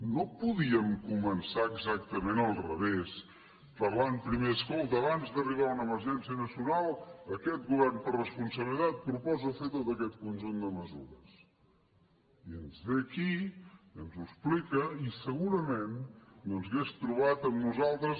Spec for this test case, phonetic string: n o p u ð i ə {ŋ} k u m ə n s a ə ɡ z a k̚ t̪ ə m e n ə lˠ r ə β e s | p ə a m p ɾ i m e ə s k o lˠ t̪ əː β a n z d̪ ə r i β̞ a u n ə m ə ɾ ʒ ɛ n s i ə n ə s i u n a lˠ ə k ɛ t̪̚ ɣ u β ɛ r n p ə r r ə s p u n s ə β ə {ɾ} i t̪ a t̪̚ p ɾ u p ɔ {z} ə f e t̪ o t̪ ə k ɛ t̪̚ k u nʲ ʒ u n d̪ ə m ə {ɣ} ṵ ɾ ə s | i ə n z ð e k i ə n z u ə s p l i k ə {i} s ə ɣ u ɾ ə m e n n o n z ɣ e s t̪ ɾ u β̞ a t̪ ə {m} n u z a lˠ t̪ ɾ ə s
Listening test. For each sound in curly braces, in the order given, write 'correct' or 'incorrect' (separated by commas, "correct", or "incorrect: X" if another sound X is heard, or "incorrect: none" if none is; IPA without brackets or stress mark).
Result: incorrect: m, incorrect: l, correct, incorrect: z, correct, correct